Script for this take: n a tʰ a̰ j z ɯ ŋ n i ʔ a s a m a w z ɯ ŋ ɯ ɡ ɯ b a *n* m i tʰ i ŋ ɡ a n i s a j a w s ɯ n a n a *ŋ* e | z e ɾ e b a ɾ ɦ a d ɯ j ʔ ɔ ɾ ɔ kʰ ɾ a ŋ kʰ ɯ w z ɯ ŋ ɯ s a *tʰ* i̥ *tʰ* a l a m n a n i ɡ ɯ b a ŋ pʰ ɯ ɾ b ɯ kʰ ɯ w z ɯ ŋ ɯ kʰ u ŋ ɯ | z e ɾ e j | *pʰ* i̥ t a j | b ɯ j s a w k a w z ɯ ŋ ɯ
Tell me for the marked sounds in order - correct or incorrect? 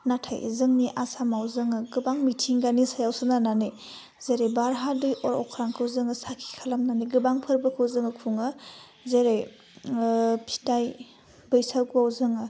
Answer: incorrect: ŋ, incorrect: n, incorrect: kʰ, incorrect: kʰ, correct

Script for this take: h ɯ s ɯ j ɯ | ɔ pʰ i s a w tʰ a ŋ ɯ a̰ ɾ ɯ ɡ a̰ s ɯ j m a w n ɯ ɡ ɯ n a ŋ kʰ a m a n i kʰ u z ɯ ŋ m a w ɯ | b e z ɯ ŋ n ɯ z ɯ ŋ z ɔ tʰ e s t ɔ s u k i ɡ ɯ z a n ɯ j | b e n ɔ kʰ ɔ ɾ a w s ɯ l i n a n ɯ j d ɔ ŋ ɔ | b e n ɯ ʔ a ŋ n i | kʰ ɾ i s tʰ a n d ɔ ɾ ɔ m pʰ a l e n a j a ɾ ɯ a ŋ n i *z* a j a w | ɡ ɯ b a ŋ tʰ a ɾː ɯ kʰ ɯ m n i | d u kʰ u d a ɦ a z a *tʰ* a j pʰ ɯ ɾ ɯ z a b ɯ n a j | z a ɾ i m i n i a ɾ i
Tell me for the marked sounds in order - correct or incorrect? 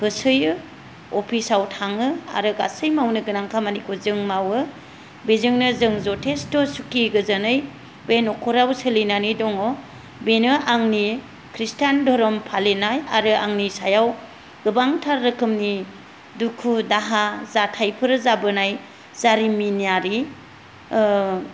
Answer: incorrect: s, correct

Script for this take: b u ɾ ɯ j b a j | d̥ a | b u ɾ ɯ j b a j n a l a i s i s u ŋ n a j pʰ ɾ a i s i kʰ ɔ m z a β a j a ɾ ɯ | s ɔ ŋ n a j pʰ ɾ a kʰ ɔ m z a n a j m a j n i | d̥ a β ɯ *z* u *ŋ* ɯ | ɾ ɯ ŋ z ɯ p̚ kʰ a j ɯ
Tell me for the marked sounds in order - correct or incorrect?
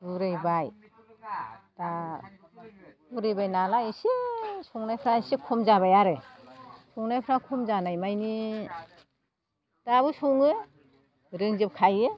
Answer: incorrect: s, correct

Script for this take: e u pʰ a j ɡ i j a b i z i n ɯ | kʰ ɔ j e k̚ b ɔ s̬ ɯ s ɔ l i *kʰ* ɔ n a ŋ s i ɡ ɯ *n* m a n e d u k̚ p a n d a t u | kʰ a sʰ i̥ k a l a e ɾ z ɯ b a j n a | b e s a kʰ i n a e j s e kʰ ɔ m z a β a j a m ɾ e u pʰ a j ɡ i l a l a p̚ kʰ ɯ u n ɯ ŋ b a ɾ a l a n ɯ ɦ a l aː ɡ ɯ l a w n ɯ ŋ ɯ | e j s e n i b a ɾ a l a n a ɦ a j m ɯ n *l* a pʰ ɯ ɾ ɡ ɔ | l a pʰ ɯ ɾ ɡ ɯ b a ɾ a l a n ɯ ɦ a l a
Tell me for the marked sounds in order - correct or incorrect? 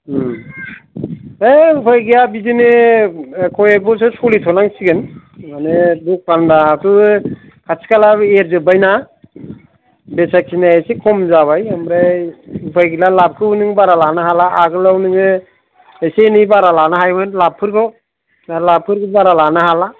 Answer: incorrect: tʰ, correct, correct

